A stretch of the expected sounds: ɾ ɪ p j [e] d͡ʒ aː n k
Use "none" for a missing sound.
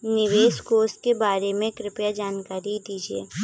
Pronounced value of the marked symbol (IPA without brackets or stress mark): a